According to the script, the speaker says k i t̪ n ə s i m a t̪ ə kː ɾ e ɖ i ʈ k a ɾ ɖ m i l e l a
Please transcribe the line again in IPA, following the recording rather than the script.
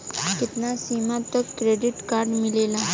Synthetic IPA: k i t̪ n a s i m a t̪ ə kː ɾ e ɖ i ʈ k a ɾ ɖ m i l e l a